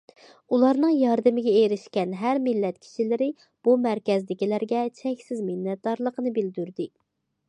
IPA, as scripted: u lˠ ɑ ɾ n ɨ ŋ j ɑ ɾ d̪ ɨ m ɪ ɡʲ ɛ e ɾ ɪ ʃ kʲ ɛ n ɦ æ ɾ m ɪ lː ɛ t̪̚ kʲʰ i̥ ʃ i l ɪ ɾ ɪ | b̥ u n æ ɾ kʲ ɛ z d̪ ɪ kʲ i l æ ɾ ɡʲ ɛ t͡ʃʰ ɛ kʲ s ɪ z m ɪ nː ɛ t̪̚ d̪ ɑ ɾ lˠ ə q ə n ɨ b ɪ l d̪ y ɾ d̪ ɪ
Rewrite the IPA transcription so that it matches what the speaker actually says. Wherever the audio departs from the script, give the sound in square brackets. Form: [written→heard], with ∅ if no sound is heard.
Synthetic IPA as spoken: u lˠ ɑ ɾ n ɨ ŋ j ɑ ɾ d̪ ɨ m ɪ ɡʲ ɛ e ɾ ɪ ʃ kʲ ɛ n ɦ æ ɾ m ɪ lː ɛ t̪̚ kʲʰ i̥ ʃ i l ɪ ɾ ɪ | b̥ u [n→m] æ ɾ kʲ ɛ z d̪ ɪ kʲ i l æ ɾ ɡʲ ɛ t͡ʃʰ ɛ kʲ s ɪ z m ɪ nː ɛ t̪̚ d̪ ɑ ɾ lˠ ə q ə n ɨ b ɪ l d̪ y ɾ d̪ ɪ